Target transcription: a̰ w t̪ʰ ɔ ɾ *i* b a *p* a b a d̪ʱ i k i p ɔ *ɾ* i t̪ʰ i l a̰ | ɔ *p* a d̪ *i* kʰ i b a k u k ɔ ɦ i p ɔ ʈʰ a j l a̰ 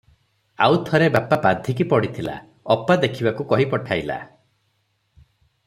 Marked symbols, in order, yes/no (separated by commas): no, yes, no, yes, no